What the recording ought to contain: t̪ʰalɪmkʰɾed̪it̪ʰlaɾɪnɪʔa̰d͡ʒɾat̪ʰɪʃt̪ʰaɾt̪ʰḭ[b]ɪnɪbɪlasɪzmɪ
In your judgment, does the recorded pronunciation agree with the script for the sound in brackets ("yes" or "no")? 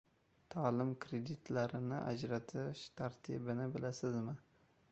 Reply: yes